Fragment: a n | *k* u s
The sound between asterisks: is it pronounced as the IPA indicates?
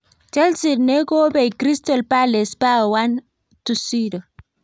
no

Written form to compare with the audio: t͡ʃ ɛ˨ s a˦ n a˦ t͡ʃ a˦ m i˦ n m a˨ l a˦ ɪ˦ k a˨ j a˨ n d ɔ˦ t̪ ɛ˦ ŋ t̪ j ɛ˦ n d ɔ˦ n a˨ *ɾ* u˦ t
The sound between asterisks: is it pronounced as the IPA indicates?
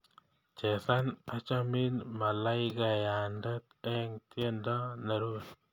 yes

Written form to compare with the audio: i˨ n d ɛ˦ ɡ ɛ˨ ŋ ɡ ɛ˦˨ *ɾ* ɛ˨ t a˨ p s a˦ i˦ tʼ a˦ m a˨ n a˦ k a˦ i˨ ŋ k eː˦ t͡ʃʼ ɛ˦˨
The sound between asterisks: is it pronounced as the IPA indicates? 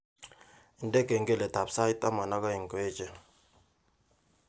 no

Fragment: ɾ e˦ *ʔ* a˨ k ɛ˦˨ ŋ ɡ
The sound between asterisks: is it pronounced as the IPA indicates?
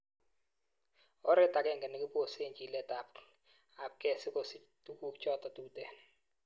no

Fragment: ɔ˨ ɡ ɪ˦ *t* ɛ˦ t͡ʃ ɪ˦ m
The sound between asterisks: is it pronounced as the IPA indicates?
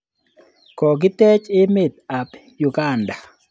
yes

